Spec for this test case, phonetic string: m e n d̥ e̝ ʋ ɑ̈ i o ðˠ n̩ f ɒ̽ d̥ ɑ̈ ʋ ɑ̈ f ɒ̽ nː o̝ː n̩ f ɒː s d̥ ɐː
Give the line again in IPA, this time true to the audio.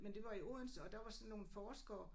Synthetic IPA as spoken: m e n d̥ e̝ ʋ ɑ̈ i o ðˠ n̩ s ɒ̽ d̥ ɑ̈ ʋ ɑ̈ s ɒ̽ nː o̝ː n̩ f ɒː s ɡ̥ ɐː